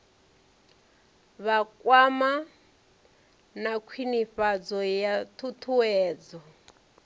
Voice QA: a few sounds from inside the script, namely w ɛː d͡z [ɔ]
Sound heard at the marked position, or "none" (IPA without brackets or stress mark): ɔ